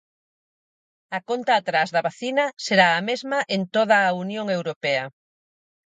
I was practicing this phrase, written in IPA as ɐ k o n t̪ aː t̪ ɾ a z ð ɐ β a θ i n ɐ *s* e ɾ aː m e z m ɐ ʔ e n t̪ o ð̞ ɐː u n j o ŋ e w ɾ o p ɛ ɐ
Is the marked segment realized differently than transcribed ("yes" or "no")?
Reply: no